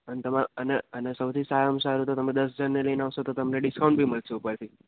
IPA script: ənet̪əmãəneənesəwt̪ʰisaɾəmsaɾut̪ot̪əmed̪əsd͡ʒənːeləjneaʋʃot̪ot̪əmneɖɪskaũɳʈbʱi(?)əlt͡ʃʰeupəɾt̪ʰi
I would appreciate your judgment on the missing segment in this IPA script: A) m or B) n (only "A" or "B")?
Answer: A